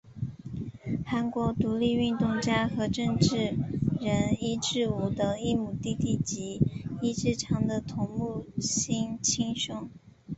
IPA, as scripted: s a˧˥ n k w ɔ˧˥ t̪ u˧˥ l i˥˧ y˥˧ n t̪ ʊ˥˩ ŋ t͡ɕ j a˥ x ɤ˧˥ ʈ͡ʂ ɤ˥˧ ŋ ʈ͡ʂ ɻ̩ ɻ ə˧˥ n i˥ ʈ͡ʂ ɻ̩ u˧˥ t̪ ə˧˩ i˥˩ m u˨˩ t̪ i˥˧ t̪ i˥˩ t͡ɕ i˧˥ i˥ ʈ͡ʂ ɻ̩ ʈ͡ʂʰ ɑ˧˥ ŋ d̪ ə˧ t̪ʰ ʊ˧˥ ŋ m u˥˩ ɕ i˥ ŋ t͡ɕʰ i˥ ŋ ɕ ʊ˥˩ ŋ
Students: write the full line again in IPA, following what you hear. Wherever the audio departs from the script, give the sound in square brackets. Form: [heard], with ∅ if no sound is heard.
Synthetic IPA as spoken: [x] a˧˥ n k w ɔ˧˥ t̪ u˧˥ l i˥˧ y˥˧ n t̪ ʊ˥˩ ŋ t͡ɕ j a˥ x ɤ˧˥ ʈ͡ʂ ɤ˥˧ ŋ ʈ͡ʂ ɻ̩ ɻ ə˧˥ n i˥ ʈ͡ʂ ɻ̩ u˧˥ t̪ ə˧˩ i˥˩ m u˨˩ t̪ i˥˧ t̪ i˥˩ t͡ɕ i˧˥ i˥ ʈ͡ʂ ɻ̩ ʈ͡ʂʰ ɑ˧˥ ŋ d̪ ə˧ t̪ʰ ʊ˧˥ ŋ m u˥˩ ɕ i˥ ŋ t͡ɕʰ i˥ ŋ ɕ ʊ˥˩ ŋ